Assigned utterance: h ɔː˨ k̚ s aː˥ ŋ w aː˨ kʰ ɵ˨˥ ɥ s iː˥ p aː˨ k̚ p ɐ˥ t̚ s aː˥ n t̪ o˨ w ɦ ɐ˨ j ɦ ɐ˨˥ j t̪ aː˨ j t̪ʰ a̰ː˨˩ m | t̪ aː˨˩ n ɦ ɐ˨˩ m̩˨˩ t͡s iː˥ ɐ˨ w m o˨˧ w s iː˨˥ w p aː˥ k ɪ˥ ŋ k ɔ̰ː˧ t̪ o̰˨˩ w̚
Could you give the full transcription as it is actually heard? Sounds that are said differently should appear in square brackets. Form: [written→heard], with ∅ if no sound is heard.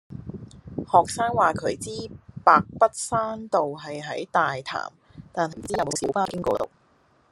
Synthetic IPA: h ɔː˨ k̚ s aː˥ ŋ w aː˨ kʰ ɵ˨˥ ɥ [s→t͡s] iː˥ p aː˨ k̚ p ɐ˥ t̚ s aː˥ n t̪ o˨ w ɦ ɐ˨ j ɦ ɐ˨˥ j t̪ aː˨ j t̪ʰ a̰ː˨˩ m | t̪ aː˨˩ n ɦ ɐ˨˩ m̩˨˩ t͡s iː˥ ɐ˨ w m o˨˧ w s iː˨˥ w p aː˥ k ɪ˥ ŋ k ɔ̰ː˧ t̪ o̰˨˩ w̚